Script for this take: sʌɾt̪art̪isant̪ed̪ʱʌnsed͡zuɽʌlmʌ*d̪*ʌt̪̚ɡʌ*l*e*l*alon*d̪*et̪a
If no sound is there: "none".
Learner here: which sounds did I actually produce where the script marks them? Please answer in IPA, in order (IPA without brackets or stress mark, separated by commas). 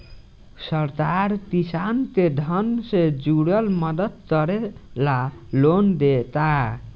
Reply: d̪, ɾ, l, d̪